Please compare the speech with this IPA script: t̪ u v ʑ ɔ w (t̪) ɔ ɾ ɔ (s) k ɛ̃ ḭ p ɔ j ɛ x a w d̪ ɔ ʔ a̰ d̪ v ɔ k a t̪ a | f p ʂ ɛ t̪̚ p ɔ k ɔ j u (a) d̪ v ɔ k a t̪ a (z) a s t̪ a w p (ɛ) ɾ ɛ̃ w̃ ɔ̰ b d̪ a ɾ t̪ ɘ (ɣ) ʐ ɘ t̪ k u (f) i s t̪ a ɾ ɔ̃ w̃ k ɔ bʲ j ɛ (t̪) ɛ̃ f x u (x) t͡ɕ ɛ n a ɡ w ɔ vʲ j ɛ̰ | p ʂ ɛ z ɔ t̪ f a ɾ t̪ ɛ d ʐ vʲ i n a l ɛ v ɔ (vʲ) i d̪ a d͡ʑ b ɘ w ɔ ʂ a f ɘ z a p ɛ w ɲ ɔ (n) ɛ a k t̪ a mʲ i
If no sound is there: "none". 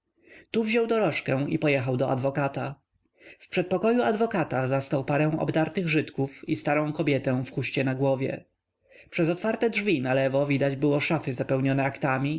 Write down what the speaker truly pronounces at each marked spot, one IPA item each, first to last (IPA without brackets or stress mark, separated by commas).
d̪, ʂ, a, z, a, ɣ, f, t̪, ɕ, vʲ, n